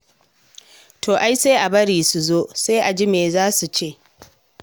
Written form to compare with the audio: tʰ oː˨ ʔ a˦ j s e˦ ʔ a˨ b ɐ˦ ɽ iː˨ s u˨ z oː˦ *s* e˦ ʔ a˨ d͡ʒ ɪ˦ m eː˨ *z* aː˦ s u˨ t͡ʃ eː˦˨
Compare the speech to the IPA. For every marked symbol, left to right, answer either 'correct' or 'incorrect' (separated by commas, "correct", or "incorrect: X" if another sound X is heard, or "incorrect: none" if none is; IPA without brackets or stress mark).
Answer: correct, correct